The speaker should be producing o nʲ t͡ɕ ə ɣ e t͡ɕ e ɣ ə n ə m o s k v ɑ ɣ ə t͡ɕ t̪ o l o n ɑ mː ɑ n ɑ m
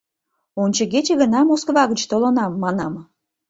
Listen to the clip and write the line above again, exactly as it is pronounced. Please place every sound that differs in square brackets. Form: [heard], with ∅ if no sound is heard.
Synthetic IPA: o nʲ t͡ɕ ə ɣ e t͡ɕ e ɣ ə n [ɑ] m o s k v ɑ ɣ ə t͡ɕ t̪ o l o n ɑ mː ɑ n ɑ m

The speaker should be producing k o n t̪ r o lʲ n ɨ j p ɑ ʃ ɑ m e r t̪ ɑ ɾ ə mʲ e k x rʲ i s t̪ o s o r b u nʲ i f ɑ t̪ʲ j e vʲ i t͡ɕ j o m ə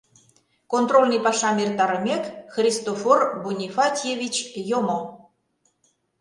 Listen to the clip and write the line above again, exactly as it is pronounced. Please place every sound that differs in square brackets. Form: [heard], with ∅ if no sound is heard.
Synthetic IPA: k o n t̪ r o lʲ n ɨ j p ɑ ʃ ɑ m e r t̪ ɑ ɾ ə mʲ e k x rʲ i s t̪ o [f] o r b u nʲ i f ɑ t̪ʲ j e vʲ i t͡ɕ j o m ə

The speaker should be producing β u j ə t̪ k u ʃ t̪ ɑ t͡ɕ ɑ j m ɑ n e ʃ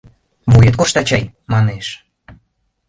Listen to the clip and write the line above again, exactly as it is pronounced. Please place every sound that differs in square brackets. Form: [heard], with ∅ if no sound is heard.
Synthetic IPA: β u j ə t̪ k [o] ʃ t̪ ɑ t͡ɕ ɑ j m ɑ n e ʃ

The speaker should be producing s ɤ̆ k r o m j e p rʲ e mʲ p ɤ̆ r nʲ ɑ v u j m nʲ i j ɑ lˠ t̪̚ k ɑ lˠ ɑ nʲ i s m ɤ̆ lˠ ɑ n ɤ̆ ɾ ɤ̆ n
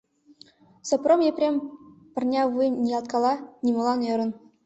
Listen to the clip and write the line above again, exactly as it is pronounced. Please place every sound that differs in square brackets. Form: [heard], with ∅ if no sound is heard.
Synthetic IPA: s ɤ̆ [p] r o m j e p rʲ e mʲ p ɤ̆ r nʲ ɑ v u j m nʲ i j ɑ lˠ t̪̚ k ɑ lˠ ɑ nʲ i [∅] m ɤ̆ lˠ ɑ n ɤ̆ ɾ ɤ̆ n

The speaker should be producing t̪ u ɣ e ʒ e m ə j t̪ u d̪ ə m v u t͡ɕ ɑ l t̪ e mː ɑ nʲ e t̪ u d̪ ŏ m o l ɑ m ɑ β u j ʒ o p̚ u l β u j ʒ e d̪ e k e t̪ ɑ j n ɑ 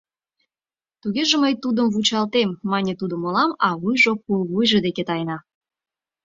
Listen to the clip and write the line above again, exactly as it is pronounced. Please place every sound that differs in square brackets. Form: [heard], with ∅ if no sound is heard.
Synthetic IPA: t̪ u ɣ e ʒ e m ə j t̪ u d̪ ə m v u t͡ɕ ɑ l t̪ e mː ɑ nʲ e t̪ u d̪ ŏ m o l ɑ m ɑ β u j ʒ o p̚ u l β u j ʒ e d̪ e k e t̪ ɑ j n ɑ

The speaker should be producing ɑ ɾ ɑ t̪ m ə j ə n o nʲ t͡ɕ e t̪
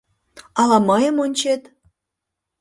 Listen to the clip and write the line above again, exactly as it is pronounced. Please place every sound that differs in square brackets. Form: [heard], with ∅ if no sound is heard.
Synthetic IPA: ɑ [l] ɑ [∅] m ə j ə [m] o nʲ t͡ɕ e t̪

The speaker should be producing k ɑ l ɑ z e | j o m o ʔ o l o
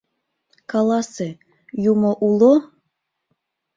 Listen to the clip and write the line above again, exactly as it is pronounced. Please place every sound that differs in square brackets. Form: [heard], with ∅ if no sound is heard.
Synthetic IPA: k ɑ l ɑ [s] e | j [u] m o ʔ [u] l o

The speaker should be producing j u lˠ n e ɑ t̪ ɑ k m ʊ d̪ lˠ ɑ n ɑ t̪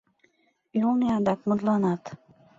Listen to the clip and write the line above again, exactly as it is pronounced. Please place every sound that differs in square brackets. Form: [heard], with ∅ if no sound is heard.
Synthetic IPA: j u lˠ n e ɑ [d̪] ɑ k m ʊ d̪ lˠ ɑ n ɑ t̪

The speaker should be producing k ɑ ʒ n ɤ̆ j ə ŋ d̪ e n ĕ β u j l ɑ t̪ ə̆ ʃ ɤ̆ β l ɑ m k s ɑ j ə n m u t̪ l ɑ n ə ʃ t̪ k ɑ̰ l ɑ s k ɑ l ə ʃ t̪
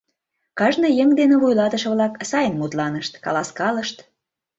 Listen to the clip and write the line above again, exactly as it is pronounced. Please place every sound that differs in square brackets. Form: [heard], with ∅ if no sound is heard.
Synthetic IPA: k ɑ ʒ n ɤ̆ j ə ŋ d̪ e n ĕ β u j l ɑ t̪ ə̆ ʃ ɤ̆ β l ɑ [∅] k s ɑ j ə n m u t̪ l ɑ n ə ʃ t̪ k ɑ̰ l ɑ s k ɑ l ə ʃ t̪

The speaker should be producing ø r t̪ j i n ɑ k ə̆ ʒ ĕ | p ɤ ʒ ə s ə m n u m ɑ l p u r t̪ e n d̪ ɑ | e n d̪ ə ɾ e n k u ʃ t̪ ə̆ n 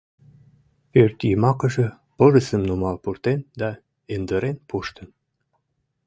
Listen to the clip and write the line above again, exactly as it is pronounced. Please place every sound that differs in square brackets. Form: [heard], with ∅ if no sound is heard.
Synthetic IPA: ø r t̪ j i [m] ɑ k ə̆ ʒ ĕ | p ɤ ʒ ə s ə m n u m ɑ l p u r t̪ e n d̪ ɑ | e n d̪ ə ɾ e n [p] u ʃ t̪ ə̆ n

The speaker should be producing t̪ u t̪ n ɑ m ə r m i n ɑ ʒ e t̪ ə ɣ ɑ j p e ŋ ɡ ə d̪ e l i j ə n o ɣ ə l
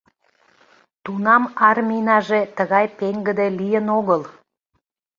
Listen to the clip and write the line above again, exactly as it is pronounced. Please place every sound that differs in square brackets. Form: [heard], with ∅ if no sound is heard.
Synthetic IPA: t̪ u [∅] n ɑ m [ɑ] r m i n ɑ ʒ e t̪ ə ɣ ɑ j p e ŋ ɡ ə d̪ e l i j ə n o ɣ ə l

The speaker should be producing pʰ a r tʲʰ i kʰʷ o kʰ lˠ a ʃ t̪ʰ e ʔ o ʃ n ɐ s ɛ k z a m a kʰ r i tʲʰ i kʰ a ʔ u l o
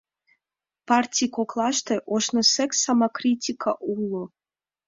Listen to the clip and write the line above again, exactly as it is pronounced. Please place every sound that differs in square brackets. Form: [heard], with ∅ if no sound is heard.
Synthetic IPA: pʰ a r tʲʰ i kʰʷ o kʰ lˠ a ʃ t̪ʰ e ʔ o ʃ n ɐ s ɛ k [s] a m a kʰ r i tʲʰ i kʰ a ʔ u l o

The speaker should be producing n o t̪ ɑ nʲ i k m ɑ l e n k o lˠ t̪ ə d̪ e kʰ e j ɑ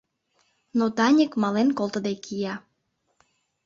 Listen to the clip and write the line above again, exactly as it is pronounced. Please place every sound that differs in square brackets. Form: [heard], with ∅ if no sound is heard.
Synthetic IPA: n o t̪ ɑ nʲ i k m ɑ l e n k o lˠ t̪ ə d̪ e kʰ [i] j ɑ

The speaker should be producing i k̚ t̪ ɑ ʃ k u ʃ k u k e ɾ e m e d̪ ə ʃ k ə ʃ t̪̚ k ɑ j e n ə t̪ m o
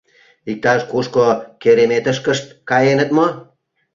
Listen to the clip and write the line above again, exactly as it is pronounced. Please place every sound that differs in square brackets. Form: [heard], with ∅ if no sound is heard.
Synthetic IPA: i k̚ t̪ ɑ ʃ k u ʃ k [o] k e ɾ e m e [t̪] ə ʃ k ə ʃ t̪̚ k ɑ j e n ə t̪ m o

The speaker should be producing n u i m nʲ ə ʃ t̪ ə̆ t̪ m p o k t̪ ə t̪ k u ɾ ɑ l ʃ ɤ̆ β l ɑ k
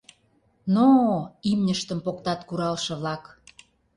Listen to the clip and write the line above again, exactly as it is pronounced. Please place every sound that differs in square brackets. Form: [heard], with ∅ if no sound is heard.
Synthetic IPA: n [o] i m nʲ ə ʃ t̪ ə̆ [∅] m p o k t̪ [ɑ] t̪ k u ɾ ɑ l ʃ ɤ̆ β l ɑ k

